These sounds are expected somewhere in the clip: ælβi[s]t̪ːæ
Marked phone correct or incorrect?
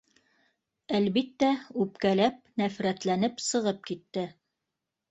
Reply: incorrect